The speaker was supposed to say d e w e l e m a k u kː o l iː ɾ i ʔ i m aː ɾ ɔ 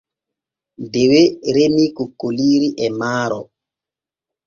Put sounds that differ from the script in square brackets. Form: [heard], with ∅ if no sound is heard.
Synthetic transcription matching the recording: d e w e [ɾ] e m [i] k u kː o l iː ɾ i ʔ [ɛ] m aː ɾ ɔ